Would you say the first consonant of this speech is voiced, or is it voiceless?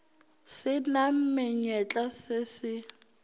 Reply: voiceless